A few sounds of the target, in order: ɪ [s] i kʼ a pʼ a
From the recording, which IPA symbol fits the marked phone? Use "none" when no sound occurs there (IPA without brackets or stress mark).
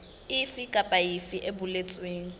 f